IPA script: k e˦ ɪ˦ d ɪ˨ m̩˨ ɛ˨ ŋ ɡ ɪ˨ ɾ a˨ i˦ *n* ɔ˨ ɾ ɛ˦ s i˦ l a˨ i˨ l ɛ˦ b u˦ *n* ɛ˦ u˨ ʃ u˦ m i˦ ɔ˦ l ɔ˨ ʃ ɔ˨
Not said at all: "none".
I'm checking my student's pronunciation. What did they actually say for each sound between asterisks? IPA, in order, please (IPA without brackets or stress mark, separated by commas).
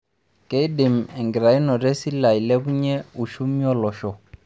n, ɲ